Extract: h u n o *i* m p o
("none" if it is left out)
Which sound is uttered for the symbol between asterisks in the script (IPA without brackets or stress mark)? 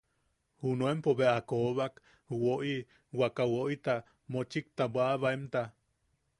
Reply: e